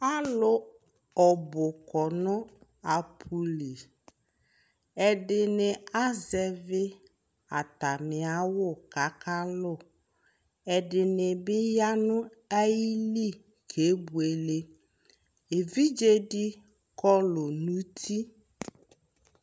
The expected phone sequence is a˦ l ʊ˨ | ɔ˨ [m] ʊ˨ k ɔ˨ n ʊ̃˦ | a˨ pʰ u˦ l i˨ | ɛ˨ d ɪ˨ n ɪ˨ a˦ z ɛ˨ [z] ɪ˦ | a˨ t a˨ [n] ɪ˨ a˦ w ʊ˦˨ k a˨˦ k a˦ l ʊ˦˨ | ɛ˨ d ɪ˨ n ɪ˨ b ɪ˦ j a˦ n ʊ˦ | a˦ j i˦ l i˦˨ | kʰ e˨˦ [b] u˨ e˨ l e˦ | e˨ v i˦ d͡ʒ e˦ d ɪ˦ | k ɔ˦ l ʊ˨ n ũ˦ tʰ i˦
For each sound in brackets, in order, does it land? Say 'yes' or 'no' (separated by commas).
no, no, no, yes